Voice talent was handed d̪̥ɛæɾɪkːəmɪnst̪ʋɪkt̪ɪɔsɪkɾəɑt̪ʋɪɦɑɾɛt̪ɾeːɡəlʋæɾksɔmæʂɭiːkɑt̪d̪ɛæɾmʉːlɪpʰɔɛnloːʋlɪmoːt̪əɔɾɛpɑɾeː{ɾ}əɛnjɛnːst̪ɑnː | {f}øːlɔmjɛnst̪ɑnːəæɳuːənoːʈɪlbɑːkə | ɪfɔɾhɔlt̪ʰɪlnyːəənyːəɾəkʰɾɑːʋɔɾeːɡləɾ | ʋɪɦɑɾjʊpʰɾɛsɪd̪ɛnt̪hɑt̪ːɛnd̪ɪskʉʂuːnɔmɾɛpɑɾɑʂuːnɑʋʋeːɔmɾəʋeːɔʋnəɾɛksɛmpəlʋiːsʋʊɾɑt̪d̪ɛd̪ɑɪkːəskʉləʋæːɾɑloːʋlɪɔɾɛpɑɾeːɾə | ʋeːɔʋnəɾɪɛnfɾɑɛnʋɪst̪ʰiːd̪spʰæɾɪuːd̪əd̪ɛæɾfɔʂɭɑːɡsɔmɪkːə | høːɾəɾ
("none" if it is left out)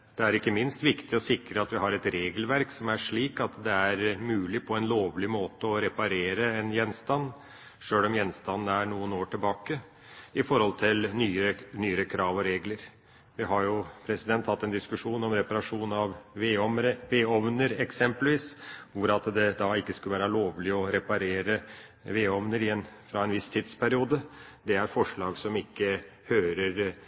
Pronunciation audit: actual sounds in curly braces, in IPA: ɾ, ʂ

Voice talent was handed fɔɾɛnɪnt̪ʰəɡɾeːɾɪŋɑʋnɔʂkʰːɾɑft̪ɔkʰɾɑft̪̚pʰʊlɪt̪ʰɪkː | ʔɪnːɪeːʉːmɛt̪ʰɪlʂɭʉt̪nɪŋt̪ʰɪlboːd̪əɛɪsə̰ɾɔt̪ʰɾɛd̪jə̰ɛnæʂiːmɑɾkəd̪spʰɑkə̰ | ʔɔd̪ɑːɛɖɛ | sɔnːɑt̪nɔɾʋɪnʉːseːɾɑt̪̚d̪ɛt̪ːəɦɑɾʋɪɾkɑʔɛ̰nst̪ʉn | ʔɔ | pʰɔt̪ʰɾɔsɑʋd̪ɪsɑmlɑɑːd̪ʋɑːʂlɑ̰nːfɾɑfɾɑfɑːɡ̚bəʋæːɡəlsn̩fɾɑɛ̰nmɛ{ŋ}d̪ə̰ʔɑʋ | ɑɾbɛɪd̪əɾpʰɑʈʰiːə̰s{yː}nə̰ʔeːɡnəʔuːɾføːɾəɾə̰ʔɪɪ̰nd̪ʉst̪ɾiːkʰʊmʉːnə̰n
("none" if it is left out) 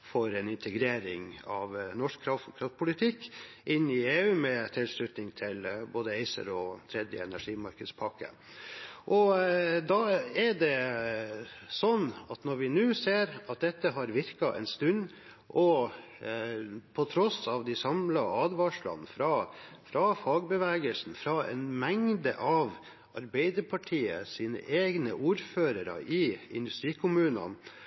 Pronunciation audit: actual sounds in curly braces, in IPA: ŋ, iː

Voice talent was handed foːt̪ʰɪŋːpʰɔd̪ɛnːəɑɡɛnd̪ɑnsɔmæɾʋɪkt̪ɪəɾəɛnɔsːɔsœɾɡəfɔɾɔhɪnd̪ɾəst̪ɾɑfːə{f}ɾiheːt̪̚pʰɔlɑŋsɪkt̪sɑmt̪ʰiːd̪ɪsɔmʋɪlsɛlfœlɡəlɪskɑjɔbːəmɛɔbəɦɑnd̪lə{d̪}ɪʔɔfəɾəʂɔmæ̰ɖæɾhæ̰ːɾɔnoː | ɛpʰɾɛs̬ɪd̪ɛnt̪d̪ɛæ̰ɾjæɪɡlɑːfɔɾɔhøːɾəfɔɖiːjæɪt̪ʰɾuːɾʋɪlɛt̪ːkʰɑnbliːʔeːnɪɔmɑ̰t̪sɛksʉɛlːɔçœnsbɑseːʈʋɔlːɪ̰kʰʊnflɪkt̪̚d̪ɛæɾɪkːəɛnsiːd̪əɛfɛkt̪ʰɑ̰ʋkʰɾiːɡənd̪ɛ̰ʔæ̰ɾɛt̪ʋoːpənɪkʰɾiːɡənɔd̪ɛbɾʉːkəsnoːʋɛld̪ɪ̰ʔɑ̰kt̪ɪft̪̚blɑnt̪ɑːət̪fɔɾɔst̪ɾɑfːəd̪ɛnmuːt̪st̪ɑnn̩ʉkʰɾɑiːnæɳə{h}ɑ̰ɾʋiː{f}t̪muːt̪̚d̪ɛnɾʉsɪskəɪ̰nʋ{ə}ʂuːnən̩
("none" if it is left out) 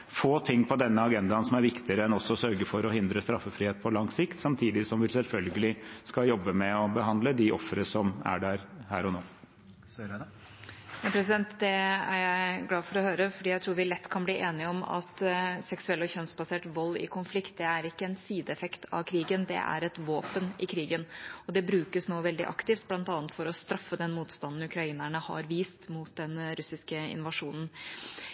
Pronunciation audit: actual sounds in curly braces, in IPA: f, d̪, h, s, ɑ

